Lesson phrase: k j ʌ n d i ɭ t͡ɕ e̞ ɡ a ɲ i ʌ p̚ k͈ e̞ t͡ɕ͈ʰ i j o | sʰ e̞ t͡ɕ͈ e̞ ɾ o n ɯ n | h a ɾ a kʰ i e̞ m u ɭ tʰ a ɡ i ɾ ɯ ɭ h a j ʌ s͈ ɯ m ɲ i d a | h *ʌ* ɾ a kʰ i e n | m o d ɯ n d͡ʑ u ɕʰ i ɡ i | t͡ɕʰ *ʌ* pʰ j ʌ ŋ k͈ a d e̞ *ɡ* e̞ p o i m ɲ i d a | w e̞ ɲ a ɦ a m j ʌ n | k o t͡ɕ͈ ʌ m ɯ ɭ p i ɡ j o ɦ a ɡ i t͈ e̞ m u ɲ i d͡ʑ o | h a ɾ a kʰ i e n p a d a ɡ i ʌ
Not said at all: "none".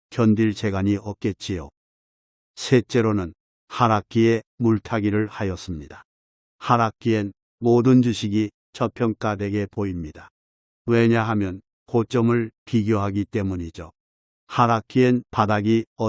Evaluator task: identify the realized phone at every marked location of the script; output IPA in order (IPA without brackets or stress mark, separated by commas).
a, ʌ, ɡ